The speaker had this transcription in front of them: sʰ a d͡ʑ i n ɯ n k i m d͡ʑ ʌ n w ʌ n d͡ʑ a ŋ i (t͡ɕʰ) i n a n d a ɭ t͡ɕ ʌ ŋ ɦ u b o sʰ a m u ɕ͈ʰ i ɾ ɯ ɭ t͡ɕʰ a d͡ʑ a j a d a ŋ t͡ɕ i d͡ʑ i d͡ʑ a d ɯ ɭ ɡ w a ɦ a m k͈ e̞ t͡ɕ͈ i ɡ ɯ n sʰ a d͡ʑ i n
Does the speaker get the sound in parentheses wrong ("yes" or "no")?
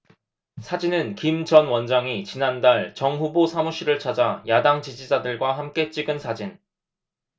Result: yes